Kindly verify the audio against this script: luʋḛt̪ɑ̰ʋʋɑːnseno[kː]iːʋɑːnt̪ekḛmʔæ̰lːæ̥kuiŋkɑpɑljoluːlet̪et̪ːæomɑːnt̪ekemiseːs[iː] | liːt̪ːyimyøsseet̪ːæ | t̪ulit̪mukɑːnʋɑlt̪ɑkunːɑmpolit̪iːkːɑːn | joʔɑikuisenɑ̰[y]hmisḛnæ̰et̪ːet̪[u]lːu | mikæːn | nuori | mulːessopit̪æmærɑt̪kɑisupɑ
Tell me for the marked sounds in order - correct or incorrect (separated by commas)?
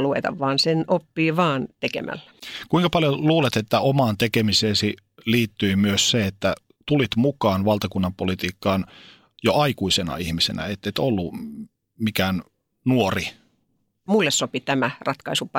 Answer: incorrect, incorrect, incorrect, incorrect